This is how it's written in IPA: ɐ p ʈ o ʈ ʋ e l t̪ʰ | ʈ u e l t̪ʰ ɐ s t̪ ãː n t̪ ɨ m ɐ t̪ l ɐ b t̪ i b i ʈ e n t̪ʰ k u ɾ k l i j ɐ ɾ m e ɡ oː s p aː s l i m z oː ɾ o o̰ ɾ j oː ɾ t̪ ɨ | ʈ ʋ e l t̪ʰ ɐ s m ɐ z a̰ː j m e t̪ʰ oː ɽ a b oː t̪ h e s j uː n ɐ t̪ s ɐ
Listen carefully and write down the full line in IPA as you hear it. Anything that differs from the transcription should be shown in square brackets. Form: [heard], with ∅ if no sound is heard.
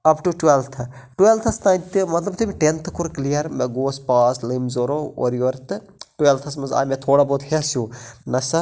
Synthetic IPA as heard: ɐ p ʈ [u] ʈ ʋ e l t̪ʰ | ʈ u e l t̪ʰ ɐ s t̪ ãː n t̪ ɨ m ɐ t̪ l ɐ b t̪ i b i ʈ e n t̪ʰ k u ɾ k l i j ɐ ɾ m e ɡ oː s p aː s l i m z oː ɾ o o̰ ɾ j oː ɾ t̪ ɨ | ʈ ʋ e l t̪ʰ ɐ s m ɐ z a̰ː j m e t̪ʰ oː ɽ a b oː t̪ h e s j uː n ɐ [∅] s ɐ